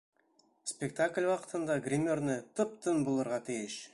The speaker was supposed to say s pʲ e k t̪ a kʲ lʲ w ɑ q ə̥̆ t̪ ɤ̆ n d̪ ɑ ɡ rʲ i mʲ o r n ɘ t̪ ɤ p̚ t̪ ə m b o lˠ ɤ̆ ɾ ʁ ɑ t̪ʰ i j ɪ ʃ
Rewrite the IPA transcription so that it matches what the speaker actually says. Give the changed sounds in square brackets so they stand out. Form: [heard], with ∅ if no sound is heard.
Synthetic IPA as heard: s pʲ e k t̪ a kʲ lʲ w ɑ q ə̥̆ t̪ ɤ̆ n d̪ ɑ ɡ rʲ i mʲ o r n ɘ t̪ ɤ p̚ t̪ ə [n] b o lˠ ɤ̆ ɾ ʁ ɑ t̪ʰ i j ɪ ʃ